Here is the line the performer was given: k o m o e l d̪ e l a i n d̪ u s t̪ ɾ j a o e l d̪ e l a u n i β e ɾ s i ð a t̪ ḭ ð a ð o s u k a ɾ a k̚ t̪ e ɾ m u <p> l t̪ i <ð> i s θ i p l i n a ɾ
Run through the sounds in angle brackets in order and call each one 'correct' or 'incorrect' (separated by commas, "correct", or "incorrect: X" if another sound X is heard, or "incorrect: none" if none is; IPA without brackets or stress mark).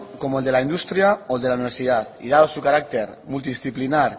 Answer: incorrect: none, correct